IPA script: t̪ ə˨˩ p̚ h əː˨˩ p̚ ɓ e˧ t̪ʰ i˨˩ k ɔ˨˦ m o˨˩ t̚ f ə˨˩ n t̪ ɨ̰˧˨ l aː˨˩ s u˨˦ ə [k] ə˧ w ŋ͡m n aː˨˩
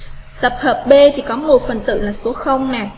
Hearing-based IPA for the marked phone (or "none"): x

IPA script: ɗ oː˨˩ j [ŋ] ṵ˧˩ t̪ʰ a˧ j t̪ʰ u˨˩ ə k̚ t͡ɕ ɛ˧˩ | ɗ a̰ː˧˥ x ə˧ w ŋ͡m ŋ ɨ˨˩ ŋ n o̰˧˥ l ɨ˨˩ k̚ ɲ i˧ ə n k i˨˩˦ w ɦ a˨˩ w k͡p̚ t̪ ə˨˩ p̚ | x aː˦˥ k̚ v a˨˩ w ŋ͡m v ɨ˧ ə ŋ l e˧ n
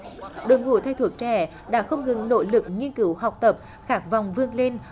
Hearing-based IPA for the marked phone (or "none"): ŋ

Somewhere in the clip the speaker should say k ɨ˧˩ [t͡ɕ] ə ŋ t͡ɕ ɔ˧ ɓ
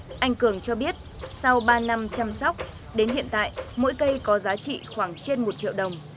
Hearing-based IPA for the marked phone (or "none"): none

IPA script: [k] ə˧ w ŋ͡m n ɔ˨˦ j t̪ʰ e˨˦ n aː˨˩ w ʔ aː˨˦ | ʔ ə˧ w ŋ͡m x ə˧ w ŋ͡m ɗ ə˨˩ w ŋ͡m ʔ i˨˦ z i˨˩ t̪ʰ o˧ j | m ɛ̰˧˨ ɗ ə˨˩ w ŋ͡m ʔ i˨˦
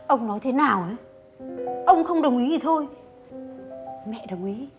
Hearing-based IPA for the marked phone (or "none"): ʔ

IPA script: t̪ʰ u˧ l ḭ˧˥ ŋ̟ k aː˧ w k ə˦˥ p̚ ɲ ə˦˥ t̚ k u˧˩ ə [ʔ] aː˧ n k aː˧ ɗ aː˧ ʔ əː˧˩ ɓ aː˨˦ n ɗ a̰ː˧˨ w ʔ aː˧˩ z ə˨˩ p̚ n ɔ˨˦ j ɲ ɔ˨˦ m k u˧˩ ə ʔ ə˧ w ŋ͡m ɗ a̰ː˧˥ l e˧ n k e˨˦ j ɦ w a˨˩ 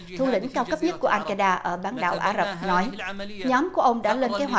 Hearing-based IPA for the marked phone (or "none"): ʔ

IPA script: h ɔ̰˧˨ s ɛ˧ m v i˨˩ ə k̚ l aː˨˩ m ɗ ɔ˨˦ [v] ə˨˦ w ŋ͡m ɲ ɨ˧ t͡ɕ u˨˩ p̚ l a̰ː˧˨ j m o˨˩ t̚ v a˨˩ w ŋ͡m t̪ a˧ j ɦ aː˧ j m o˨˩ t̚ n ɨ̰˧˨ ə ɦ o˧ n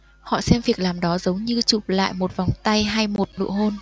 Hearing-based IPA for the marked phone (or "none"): z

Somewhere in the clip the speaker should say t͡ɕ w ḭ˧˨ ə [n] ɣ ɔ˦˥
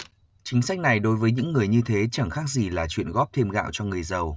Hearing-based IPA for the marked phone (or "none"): n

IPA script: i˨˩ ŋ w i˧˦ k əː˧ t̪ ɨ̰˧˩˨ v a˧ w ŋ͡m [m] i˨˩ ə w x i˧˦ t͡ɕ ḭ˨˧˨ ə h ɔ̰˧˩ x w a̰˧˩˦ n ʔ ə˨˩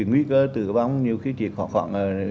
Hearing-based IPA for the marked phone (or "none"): ɲ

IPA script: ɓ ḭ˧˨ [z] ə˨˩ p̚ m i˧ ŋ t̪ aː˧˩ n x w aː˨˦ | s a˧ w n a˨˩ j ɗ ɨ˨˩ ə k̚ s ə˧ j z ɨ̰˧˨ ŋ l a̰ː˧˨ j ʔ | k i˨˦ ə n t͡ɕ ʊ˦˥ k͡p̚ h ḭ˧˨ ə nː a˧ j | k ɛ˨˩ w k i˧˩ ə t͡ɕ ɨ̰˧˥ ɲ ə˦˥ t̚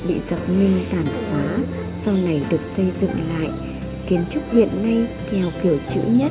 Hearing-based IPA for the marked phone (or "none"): z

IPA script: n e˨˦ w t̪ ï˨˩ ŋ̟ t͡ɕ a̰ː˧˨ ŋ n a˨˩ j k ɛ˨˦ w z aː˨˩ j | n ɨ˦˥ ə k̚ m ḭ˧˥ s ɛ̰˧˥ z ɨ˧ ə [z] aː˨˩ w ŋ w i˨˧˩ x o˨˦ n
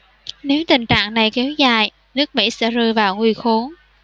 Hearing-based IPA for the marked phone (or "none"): v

